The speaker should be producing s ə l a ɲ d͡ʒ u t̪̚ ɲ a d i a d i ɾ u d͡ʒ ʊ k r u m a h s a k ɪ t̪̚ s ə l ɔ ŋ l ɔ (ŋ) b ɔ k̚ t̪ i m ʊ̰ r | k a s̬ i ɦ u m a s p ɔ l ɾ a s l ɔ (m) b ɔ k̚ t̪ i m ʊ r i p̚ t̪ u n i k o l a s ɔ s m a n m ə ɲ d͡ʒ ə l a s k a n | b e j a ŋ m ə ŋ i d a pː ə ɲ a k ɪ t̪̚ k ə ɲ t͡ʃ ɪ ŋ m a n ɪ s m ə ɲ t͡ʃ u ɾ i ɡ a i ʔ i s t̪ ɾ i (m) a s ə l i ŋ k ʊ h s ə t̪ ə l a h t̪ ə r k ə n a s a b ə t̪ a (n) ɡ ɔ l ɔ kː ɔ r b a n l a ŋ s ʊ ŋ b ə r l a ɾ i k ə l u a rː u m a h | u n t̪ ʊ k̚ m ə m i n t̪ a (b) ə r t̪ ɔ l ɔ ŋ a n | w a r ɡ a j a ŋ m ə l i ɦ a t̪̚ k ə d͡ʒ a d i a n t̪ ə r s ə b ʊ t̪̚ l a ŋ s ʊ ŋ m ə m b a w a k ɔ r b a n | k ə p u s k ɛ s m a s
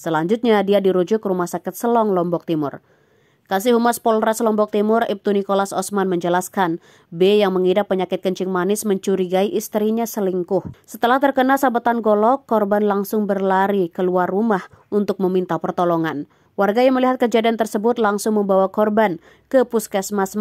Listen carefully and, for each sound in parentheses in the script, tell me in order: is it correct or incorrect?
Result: incorrect, correct, incorrect, correct, incorrect

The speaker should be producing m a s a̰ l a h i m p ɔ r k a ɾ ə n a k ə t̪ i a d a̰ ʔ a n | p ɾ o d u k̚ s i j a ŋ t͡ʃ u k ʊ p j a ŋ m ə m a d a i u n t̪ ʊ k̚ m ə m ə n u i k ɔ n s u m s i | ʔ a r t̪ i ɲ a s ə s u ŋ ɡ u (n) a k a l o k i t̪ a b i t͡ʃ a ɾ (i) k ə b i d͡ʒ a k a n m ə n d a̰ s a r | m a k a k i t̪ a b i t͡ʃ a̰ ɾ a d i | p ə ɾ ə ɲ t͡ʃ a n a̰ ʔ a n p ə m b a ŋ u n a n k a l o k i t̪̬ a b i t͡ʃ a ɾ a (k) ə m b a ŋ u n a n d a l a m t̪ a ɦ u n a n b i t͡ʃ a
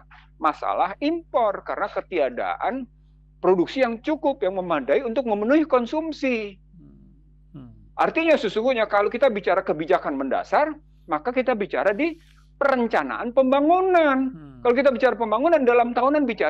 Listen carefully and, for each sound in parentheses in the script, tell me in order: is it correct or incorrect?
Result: incorrect, incorrect, incorrect

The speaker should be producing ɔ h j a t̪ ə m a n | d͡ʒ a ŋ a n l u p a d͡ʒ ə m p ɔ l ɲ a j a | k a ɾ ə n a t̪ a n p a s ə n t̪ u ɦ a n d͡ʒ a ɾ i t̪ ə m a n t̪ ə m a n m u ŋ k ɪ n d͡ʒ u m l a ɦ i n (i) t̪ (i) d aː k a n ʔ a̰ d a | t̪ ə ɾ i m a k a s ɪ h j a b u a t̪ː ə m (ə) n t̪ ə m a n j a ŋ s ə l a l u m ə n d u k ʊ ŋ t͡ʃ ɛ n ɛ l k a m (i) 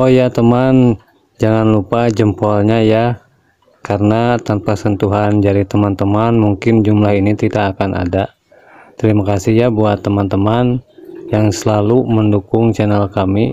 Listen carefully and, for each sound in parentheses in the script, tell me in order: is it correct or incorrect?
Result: correct, correct, incorrect, correct

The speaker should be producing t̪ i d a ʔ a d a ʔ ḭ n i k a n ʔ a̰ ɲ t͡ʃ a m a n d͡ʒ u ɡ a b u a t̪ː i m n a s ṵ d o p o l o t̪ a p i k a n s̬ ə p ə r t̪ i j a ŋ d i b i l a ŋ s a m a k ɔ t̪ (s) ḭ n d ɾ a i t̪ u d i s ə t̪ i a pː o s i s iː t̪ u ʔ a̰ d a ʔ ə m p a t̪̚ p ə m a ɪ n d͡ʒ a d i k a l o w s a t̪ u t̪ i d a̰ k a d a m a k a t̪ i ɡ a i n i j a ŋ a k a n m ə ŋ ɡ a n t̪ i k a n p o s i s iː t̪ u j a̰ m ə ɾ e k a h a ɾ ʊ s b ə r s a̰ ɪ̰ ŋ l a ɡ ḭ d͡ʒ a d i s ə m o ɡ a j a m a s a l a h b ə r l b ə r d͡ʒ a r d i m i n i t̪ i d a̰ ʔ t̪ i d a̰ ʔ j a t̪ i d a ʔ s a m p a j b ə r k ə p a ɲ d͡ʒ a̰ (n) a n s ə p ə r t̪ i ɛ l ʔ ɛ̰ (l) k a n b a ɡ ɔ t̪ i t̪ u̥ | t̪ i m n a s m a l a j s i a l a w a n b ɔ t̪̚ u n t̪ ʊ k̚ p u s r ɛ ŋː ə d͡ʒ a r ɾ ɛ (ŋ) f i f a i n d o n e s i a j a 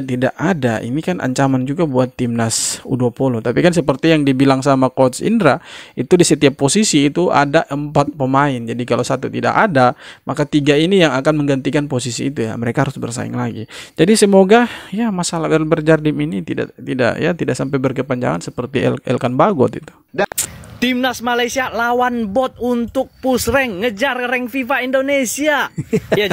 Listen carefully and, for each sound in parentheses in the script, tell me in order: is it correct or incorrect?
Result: correct, incorrect, correct, correct

